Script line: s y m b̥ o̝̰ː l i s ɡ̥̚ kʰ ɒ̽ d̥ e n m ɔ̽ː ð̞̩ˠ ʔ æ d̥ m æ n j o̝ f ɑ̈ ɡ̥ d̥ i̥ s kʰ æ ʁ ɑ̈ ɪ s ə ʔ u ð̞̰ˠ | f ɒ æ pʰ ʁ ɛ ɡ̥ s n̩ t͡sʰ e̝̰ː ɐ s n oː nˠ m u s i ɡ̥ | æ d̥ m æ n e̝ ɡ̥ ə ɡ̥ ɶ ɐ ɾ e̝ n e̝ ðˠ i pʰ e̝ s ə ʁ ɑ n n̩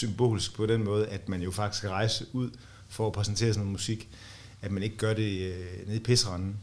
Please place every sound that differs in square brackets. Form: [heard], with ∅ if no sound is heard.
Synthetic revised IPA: s y m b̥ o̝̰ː l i s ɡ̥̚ [pʰ] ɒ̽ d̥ e n m ɔ̽ː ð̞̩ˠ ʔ æ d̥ m æ n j o̝ f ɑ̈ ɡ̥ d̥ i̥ s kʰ æ ʁ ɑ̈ ɪ s ə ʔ u ð̞̰ˠ | f ɒ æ pʰ ʁ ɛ [∅] s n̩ t͡sʰ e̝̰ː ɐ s n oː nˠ m u s i ɡ̥ | æ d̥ m æ n e̝ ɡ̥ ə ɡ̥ ɶ ɐ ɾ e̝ n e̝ ðˠ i pʰ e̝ s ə ʁ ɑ n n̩